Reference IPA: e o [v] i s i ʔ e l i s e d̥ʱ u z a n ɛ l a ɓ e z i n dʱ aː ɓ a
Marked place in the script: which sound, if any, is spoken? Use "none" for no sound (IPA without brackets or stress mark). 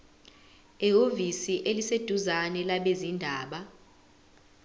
v